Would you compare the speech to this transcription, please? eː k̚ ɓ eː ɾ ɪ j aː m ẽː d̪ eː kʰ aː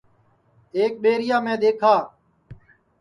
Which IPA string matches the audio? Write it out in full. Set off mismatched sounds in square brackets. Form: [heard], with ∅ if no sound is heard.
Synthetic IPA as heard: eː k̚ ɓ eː ɾ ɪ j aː m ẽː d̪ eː kʰ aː